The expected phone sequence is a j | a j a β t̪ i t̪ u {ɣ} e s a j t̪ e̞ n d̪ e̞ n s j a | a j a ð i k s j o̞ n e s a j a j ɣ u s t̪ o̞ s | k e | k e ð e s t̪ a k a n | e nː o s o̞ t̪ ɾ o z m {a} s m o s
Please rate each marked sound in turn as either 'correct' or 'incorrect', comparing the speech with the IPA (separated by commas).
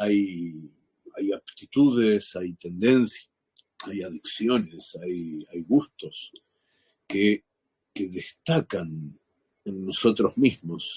incorrect, incorrect